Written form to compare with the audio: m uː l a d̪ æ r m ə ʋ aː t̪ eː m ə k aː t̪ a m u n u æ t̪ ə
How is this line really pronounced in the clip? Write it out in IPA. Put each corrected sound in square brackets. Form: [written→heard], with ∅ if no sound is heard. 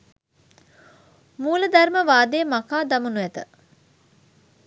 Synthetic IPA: m uː l [a→ə] d̪ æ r m ə ʋ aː [t̪→d̪] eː m [ə→a] k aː [t̪→d̪] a m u n u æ t̪ ə